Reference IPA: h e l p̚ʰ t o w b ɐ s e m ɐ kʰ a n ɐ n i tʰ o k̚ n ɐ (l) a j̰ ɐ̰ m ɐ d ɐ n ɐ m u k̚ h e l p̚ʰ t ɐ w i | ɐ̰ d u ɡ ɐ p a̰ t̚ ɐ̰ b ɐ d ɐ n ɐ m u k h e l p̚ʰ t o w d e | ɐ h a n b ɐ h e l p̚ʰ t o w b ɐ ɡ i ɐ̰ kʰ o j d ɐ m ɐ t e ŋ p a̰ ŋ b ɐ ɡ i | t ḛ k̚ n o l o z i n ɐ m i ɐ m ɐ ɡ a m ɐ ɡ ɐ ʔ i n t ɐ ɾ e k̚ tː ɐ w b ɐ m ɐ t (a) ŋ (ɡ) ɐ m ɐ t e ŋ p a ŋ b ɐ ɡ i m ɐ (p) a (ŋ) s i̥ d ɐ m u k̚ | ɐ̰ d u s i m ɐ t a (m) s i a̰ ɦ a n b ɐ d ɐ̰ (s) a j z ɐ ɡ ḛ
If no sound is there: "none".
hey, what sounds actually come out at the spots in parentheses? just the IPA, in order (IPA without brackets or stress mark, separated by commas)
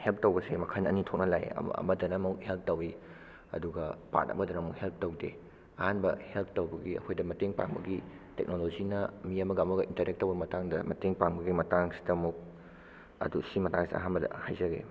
l, a, d, t, ŋ, ŋ, h